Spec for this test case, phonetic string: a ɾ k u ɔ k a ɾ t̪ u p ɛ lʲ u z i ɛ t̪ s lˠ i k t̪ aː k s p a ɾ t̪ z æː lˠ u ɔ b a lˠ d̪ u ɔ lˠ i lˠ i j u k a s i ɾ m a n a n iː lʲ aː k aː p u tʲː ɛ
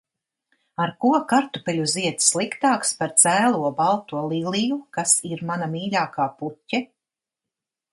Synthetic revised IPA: a ɾ k u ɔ k a ɾ t̪ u p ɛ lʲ u z i ɛ t̪ s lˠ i k t̪ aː k s p a ɾ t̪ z æː lˠ u ɔ b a lˠ t̪ u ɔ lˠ i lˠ i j u k a s i ɾ m a n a m iː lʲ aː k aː p u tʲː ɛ